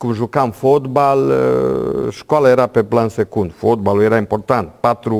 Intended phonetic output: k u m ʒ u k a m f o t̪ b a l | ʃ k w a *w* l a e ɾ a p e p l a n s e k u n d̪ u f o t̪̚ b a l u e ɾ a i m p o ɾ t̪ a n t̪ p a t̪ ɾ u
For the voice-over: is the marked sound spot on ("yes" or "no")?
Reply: no